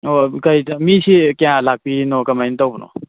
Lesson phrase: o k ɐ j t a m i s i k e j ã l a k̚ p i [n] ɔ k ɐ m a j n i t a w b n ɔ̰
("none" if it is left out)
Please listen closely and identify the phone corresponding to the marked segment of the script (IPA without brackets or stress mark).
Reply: n